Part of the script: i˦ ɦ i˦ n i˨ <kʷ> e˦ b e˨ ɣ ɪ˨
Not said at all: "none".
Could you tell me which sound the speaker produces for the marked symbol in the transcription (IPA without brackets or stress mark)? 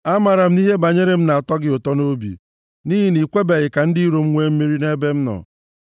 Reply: kʷ